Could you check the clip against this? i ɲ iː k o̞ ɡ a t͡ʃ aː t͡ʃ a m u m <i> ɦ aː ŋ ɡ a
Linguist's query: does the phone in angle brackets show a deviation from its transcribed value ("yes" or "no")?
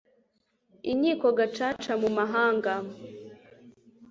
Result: yes